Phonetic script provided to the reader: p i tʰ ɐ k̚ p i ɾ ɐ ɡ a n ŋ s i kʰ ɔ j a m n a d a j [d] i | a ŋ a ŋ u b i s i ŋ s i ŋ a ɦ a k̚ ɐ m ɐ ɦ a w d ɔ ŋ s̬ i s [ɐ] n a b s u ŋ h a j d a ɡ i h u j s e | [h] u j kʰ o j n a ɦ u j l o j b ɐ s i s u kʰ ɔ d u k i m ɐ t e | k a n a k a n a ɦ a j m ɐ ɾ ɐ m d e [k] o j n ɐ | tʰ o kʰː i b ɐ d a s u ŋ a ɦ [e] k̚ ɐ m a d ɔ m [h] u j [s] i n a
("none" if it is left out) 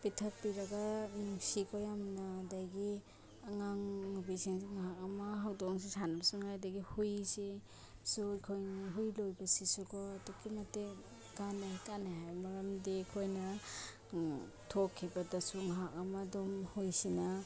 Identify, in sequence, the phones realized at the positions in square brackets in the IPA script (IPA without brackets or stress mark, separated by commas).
ɡ, a, s, kʰ, a, h, s